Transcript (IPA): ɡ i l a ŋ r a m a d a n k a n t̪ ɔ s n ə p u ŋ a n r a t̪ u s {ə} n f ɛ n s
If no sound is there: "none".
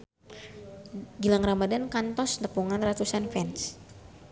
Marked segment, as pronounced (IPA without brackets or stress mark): a